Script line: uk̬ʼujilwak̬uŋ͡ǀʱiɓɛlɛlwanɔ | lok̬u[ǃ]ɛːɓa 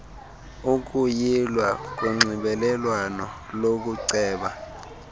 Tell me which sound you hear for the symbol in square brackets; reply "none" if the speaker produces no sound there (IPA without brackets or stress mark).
ǀ